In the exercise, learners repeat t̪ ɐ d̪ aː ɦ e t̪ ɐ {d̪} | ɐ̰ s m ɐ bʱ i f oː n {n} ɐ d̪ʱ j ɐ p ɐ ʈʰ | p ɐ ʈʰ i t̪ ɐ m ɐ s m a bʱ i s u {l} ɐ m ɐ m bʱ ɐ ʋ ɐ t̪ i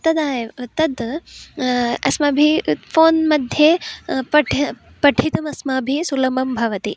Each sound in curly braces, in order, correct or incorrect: correct, incorrect: m, correct

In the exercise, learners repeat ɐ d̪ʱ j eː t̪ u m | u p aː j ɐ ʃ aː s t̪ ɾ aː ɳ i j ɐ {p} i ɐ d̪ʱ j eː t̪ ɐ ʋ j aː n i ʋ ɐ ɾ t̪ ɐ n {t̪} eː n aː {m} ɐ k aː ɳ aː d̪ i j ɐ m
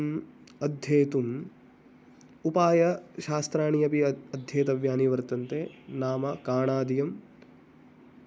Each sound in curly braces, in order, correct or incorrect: correct, correct, correct

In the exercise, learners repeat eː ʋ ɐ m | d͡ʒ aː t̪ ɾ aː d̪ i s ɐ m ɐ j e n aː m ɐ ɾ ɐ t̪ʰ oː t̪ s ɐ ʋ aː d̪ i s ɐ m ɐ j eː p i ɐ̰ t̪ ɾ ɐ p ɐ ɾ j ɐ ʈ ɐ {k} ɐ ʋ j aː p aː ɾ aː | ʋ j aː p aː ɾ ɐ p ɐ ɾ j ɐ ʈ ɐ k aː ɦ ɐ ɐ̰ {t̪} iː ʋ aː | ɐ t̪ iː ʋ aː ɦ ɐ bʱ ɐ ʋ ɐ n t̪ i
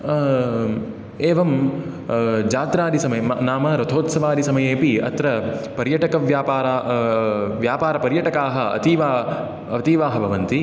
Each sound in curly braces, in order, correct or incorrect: correct, correct

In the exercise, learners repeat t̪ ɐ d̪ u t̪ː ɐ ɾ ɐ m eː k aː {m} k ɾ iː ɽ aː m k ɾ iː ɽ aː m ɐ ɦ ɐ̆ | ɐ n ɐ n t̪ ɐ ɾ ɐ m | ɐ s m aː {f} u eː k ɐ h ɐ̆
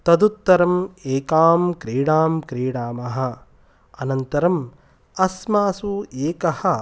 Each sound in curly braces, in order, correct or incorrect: correct, incorrect: s

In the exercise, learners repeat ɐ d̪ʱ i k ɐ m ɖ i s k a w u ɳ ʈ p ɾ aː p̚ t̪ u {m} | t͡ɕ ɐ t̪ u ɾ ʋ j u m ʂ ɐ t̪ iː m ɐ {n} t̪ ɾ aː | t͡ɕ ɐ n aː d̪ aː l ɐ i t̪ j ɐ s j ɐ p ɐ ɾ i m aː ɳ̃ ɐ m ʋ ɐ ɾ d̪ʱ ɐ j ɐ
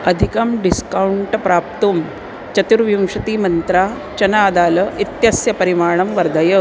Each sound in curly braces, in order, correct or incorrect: correct, correct

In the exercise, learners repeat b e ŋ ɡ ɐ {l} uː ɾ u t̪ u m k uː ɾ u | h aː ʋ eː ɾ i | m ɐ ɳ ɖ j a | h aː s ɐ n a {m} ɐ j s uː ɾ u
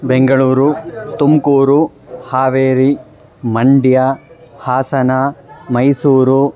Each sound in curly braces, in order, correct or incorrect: incorrect: ɭ, correct

